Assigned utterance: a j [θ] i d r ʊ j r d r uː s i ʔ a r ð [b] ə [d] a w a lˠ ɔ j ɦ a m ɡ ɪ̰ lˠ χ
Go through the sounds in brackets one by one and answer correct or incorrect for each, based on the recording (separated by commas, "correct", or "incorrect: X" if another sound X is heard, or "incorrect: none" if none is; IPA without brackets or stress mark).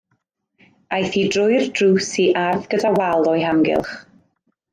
correct, incorrect: ɡ, correct